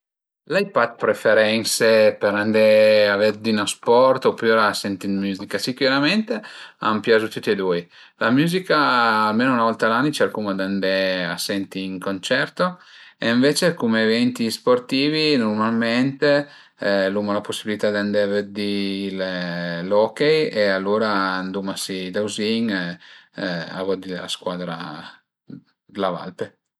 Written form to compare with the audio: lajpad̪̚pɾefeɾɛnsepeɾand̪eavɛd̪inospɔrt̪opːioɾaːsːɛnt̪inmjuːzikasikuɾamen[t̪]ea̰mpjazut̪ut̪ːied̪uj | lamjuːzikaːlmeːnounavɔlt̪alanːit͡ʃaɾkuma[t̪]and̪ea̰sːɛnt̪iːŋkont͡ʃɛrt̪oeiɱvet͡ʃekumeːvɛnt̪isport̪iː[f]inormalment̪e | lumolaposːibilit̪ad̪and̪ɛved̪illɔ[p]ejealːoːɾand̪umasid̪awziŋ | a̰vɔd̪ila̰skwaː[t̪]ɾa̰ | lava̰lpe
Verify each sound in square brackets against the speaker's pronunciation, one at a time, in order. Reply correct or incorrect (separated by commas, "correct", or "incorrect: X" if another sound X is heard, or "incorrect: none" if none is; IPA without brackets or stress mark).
correct, incorrect: d̪, incorrect: v, incorrect: k, incorrect: d̪